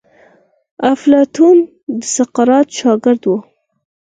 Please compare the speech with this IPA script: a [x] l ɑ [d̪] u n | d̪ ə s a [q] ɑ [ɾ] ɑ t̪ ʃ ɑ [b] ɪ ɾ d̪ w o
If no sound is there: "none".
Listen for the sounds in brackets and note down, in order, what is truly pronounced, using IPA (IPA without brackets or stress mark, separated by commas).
f, t̪, q, ɾ, ɡ